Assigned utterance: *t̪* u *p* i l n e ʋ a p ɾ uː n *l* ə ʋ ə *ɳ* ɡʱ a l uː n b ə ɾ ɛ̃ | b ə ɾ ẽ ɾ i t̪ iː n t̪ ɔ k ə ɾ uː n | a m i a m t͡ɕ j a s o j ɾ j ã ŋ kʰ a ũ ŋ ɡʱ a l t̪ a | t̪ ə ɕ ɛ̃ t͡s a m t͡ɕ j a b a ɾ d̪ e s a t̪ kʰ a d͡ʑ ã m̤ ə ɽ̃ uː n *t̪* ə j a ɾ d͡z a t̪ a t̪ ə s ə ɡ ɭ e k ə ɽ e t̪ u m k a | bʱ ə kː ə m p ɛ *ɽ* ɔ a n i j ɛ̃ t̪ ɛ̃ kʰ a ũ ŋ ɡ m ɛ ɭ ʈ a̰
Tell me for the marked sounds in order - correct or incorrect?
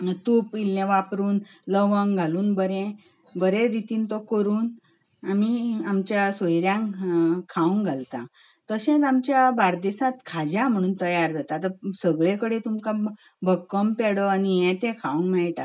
correct, correct, correct, incorrect: ŋ, correct, correct

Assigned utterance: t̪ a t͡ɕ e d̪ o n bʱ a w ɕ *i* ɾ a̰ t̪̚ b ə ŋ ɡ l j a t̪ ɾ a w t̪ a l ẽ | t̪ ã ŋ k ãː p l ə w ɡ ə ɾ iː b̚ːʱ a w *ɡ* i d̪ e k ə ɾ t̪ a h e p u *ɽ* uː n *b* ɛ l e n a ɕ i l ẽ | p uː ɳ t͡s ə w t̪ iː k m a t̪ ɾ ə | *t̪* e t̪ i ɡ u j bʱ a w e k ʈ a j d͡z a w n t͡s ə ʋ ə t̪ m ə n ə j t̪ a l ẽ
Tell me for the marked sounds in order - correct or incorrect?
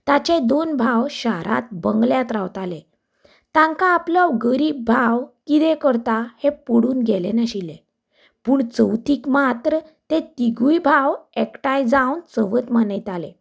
incorrect: a, incorrect: k, correct, incorrect: ɡ, correct

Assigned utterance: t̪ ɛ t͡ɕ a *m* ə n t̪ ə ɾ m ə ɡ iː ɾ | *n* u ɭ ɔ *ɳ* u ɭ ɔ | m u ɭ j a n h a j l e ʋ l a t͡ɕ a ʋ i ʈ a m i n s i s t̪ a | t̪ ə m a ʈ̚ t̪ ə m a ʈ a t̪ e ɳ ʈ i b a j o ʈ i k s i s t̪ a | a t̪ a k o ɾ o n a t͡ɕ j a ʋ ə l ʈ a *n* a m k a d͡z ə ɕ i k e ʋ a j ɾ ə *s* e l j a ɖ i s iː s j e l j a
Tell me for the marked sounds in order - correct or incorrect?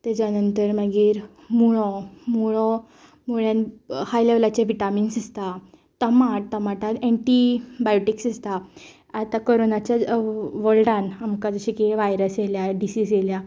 incorrect: n, incorrect: m, incorrect: m, correct, correct

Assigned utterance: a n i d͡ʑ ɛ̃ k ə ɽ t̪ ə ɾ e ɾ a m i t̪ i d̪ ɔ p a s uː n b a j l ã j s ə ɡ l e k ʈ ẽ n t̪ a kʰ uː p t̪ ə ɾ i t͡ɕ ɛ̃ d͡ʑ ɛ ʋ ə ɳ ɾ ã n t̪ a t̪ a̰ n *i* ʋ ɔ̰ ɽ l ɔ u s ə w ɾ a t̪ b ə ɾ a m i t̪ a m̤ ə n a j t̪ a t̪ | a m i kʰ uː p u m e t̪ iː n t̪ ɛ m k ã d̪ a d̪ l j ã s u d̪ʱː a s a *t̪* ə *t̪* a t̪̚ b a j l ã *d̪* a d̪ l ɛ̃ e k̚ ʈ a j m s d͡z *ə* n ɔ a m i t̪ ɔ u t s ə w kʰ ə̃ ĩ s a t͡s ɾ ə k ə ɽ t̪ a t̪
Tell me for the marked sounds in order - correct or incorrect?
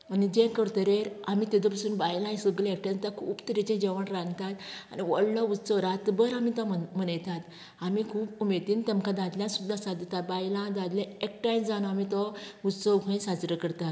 correct, incorrect: d̪, correct, correct, incorrect: a

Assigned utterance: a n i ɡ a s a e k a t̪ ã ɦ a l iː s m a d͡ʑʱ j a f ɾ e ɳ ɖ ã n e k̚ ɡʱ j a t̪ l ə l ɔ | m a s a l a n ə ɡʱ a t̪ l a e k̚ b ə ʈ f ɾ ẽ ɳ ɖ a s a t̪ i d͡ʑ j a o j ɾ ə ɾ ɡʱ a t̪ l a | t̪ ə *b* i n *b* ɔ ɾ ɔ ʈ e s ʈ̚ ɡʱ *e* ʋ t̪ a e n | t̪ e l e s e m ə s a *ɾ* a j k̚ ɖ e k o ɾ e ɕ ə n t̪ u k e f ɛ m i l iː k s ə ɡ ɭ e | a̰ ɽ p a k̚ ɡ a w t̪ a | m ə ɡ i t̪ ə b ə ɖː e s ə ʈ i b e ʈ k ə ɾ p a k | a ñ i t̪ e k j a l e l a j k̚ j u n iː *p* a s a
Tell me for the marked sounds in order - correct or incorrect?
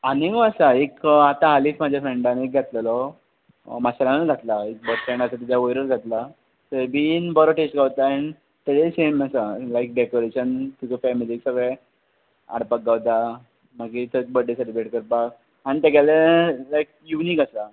correct, correct, incorrect: a, incorrect: l, incorrect: k

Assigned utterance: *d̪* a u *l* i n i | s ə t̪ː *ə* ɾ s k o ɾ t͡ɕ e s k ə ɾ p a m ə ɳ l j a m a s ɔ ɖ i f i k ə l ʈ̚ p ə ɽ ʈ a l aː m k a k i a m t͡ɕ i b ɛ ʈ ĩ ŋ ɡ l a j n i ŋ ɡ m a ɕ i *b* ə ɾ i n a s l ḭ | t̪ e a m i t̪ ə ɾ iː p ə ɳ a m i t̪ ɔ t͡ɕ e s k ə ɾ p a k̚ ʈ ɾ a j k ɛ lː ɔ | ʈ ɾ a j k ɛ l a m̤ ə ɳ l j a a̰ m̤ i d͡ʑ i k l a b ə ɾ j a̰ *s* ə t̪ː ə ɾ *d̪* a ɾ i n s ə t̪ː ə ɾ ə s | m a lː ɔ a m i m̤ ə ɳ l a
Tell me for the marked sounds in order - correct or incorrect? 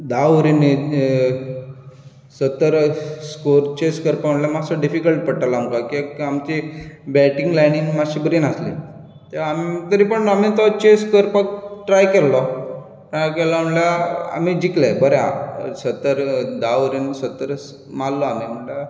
correct, incorrect: ɾ, correct, correct, correct, correct

